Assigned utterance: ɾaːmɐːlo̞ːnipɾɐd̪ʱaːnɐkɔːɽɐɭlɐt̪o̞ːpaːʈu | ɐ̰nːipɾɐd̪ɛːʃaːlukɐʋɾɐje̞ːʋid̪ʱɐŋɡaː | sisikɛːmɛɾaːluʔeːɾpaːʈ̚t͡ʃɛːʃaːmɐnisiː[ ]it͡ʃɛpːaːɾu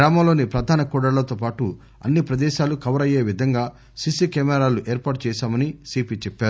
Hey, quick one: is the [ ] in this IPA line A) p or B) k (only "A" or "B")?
A